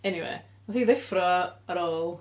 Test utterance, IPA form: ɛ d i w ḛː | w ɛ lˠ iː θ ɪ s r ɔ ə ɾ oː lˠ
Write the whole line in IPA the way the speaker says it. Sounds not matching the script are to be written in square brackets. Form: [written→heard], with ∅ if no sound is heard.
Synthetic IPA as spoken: ɛ [d→n] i w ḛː | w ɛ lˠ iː [θ→ð] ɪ [s→f] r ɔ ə ɾ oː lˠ